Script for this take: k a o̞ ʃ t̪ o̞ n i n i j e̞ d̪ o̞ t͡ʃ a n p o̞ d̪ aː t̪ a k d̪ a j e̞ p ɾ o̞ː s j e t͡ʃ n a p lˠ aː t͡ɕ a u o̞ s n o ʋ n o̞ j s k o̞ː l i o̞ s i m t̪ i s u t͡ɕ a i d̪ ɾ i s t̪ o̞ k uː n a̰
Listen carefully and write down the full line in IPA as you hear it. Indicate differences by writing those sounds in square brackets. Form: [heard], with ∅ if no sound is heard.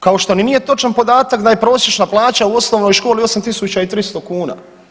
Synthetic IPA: k a o̞ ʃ t̪ o̞ n i n i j e̞ [t̪] o̞ t͡ʃ a n p o̞ d̪ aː t̪ a k d̪ a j e̞ p ɾ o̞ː s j e t͡ʃ n a p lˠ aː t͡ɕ a u o̞ s n o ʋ n o̞ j [ʃ] k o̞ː l i o̞ s [a] m t̪ i s u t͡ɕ a i [t̪] ɾ i s t̪ o̞ k uː n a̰